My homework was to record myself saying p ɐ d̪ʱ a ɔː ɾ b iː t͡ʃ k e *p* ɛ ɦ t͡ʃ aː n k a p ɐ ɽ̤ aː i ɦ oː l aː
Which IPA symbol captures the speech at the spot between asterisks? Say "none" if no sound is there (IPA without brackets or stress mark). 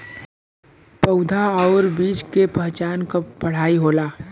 p